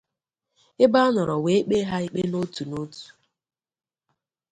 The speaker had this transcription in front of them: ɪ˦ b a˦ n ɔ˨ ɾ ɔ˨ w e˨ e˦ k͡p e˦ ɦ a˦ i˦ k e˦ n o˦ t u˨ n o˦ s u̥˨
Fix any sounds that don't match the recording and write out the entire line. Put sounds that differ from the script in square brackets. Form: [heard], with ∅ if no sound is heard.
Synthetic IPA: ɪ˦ b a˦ n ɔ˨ ɾ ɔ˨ w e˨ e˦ k͡p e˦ ɦ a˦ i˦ [k͡p] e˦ n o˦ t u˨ n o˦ [t] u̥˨